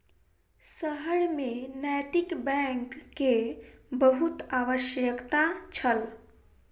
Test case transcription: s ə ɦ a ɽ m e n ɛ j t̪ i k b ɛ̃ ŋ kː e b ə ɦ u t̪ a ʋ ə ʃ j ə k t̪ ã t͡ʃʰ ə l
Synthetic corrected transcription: s ə ɦ ə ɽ m e n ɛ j t̪ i k b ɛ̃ ŋ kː e b ə ɦ u t̪ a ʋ ə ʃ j ə k t̪ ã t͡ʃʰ ə l